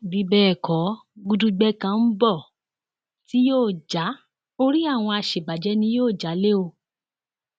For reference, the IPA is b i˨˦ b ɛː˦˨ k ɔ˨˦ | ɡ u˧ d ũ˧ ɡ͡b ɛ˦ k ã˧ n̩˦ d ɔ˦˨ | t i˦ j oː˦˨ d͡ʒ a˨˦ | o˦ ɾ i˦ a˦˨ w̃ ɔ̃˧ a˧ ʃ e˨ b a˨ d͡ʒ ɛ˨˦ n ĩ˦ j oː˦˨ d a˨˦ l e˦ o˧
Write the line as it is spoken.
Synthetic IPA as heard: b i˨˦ b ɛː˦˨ k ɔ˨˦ | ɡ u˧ d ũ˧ ɡ͡b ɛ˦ k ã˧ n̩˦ b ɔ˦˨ | t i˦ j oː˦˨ d͡ʒ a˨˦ | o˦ ɾ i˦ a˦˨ w̃ ɔ̃˧ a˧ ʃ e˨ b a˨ d͡ʒ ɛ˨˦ n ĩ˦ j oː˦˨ d͡ʒ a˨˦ l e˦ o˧